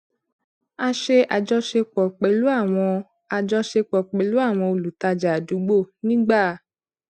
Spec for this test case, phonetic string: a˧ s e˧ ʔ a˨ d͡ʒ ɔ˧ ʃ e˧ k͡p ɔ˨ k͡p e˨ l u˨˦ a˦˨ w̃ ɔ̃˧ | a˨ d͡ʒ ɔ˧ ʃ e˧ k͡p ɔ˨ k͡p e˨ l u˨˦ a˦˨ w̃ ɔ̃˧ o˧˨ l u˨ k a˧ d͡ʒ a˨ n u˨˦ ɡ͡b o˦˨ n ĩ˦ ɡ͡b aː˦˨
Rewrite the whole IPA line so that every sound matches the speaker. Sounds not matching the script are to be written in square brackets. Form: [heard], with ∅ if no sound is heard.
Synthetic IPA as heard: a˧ [ʃ] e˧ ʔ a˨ d͡ʒ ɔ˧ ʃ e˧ k͡p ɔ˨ k͡p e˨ l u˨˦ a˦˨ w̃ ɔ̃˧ | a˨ d͡ʒ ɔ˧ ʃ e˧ k͡p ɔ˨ k͡p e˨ l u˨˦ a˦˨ w̃ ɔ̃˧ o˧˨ l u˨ [t] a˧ d͡ʒ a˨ [d] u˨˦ ɡ͡b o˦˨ n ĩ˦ ɡ͡b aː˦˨